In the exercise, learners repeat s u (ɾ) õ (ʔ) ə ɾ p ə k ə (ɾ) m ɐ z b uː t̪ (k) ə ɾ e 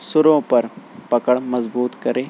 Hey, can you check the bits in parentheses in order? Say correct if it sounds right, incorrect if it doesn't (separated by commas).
correct, incorrect, incorrect, correct